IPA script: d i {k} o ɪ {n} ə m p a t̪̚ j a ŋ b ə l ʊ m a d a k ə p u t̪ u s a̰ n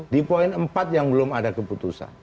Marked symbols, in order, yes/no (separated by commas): no, yes